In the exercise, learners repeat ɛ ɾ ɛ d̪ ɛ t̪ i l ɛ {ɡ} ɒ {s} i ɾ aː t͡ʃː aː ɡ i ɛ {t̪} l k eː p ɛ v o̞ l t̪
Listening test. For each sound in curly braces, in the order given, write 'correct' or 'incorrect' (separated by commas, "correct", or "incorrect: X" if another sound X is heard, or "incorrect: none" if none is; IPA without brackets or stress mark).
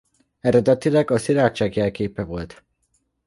correct, correct, incorrect: none